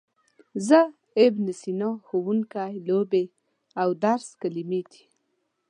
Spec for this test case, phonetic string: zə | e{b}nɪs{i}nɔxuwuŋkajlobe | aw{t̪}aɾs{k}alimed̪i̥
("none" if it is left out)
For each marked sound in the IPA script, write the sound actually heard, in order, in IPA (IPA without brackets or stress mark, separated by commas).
b, i, d̪, k